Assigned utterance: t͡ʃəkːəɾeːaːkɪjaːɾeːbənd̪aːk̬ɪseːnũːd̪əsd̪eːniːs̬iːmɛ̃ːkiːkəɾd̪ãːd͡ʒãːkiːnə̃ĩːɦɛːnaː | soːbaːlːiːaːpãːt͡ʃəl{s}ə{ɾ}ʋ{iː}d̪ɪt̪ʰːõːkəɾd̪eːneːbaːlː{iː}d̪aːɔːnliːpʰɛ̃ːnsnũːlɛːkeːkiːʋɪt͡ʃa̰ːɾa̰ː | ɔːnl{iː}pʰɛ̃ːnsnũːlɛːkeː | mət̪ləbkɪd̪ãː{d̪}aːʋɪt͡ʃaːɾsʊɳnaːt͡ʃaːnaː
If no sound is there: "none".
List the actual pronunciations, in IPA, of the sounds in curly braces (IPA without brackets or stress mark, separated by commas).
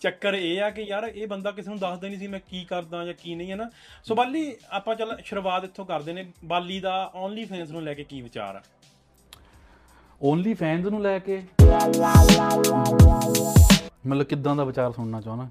ʃ, ɾ, aː, iː, iː, d̪